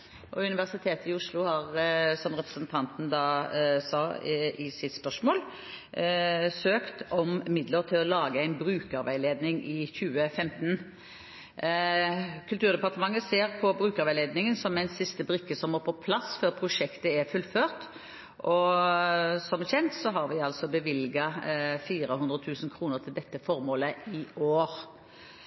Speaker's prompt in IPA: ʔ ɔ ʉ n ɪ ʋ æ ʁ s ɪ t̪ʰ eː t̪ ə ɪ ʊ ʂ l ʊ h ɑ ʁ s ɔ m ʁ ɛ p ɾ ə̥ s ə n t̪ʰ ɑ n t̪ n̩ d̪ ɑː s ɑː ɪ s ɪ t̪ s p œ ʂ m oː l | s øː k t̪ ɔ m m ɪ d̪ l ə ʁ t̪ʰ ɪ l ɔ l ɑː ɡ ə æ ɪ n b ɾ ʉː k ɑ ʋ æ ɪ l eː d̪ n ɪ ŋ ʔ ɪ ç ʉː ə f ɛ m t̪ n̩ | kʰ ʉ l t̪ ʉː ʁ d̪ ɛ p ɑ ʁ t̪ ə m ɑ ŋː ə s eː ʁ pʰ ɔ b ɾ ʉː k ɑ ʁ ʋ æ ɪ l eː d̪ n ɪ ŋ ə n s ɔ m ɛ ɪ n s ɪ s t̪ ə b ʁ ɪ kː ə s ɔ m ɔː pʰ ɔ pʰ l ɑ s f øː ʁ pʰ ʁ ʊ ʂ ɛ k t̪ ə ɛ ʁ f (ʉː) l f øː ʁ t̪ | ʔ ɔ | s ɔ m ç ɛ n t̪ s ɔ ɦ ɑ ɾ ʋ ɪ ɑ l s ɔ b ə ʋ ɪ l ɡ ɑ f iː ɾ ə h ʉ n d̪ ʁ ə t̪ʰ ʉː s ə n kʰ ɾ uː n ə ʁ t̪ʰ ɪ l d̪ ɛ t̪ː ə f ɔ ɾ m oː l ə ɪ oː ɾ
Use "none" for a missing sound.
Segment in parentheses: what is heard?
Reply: ʉ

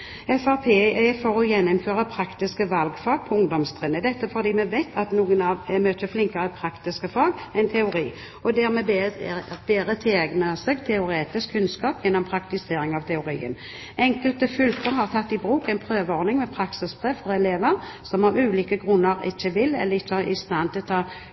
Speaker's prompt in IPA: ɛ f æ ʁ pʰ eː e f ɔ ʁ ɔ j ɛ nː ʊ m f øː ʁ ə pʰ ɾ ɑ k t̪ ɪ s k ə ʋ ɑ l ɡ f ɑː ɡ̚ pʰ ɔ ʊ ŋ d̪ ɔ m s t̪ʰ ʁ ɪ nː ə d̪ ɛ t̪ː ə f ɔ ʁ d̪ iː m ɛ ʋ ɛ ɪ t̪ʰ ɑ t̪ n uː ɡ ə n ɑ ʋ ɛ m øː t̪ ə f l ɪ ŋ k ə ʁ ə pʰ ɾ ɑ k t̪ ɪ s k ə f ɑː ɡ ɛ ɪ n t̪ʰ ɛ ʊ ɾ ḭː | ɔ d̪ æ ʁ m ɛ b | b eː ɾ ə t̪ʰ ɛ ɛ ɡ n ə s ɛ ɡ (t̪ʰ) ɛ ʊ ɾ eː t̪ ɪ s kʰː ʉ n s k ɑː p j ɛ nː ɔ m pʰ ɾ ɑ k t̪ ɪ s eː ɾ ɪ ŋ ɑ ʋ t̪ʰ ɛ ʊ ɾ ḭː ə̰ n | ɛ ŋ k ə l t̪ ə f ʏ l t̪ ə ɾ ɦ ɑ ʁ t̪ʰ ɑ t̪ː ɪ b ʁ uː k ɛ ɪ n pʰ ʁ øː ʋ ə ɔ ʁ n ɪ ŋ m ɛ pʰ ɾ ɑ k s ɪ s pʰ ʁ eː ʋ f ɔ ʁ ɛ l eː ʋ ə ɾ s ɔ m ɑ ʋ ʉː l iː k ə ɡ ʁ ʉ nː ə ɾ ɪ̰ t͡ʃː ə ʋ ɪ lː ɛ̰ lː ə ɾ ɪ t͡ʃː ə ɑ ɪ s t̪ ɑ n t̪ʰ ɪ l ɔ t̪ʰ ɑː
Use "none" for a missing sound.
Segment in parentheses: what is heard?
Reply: t̪ʰ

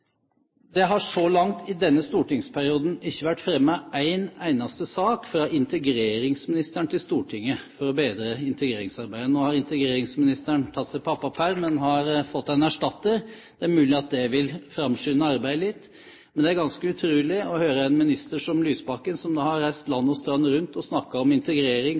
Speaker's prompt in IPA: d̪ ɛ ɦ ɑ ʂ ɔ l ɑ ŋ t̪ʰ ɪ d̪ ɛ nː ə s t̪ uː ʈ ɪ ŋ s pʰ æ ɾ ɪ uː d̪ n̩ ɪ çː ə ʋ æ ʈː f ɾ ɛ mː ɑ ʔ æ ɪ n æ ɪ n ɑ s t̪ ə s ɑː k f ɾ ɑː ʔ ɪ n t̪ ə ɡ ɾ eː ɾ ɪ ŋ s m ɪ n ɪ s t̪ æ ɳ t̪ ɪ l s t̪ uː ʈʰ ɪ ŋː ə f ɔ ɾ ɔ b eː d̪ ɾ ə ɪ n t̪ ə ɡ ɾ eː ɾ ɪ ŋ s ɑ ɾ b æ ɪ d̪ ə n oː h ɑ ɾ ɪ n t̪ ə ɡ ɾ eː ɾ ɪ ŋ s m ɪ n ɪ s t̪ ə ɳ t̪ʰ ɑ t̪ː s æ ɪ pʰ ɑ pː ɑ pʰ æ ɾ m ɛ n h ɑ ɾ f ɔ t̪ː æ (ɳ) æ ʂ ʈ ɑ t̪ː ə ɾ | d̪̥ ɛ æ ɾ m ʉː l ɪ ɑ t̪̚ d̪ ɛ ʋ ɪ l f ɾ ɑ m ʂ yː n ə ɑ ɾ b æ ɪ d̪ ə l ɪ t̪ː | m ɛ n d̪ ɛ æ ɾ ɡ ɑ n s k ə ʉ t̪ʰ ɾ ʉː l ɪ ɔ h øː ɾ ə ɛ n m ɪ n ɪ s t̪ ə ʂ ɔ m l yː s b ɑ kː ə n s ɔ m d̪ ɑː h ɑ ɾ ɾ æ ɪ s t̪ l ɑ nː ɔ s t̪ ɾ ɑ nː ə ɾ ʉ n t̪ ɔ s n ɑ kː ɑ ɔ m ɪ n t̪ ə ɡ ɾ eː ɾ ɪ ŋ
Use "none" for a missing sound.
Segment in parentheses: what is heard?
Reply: n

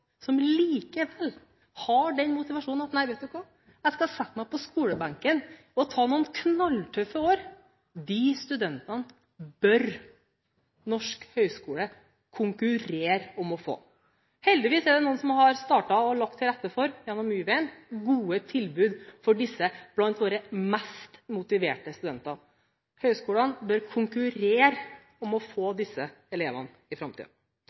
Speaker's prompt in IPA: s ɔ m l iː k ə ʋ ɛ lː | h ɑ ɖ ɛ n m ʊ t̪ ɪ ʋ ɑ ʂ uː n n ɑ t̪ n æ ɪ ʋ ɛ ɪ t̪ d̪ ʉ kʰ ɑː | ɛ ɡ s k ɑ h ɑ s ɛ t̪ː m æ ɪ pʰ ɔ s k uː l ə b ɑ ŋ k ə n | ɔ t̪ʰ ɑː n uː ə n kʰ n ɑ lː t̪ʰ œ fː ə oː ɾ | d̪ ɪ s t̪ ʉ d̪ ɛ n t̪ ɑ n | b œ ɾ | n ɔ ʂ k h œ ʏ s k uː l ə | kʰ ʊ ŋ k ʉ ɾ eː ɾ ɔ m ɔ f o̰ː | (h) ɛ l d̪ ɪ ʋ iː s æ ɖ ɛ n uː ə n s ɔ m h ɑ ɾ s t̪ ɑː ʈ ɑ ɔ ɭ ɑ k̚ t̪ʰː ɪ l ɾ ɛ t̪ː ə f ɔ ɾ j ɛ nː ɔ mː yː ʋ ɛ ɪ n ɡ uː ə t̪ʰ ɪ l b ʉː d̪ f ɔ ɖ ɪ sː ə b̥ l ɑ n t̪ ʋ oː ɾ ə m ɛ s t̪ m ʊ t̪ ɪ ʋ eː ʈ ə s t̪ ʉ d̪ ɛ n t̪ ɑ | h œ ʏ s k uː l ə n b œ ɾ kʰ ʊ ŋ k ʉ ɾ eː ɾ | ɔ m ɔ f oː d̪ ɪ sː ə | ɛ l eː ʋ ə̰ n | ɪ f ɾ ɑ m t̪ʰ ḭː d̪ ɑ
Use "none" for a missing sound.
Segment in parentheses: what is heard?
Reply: h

